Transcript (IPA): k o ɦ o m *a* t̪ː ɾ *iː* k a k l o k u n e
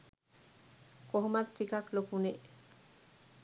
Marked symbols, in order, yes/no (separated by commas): yes, no